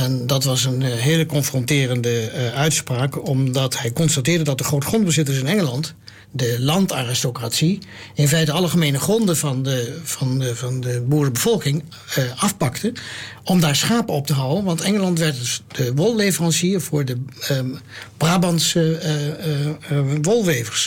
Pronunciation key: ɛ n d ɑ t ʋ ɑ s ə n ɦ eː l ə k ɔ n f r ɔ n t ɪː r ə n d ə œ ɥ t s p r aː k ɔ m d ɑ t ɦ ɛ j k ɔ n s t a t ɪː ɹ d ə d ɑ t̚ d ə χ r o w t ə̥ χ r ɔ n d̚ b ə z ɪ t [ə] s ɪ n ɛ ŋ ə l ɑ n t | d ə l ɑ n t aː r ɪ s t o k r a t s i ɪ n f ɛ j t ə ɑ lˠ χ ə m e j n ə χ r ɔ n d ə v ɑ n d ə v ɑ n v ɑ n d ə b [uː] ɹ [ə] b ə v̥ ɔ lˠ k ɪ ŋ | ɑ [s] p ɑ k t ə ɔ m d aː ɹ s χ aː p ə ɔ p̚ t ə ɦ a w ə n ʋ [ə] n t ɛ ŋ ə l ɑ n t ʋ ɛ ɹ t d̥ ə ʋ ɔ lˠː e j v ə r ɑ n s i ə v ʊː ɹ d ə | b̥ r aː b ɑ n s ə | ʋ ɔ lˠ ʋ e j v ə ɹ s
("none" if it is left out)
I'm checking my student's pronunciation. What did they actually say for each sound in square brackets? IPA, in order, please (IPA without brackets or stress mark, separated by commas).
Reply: ə, uː, ə, f, ɑ